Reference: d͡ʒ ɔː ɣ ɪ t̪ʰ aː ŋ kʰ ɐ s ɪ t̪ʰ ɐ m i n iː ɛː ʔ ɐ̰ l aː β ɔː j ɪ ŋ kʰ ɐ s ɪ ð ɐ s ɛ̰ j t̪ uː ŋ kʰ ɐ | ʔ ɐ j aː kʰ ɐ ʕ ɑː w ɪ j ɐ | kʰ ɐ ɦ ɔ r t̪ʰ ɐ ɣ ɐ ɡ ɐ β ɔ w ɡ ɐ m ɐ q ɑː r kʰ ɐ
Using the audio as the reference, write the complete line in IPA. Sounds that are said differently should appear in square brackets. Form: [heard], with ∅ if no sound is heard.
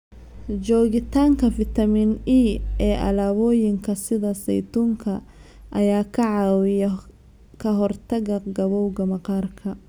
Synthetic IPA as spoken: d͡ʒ ɔː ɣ ɪ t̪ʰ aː ŋ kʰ ɐ [f] ɪ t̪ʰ ɐ m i n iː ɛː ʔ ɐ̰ l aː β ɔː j ɪ ŋ kʰ ɐ s ɪ ð ɐ s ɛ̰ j t̪ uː ŋ kʰ ɐ | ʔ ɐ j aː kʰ ɐ ʕ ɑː w ɪ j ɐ | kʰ ɐ ɦ ɔ r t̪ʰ ɐ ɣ ɐ ɡ ɐ β ɔ w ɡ ɐ m ɐ q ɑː r kʰ ɐ